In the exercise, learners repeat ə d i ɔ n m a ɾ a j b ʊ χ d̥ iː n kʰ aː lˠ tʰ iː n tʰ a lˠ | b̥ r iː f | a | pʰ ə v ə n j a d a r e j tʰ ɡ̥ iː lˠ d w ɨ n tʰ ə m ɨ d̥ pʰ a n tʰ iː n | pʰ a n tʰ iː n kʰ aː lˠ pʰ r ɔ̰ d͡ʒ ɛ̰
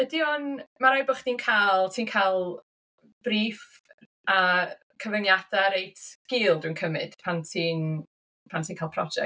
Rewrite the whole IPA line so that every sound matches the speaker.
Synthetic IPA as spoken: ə d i ɔ n m a ɾ a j b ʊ χ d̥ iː n kʰ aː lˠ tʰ iː n kʰ a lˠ | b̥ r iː f | a | kʰ ə v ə n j a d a ɾ e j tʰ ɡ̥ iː lˠ d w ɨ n kʰ ə m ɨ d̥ pʰ a n tʰ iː n | pʰ a n tʰ iː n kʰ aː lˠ pʰ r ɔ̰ d͡ʒ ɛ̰